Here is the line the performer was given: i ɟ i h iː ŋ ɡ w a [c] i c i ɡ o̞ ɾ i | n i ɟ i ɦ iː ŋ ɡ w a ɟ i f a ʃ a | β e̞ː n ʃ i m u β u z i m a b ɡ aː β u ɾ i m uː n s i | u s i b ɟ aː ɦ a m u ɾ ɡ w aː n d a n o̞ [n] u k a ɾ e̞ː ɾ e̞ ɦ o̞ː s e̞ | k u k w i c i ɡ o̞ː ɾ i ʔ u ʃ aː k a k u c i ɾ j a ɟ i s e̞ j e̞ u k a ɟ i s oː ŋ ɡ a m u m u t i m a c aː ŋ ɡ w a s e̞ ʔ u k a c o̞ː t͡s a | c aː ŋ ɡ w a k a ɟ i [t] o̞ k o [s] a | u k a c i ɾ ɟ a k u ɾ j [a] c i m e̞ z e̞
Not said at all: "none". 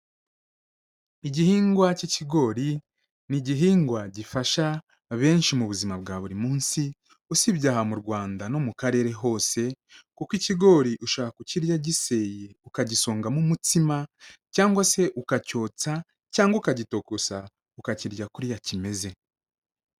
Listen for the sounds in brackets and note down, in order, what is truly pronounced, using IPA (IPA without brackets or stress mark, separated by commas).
c, m, t, s, a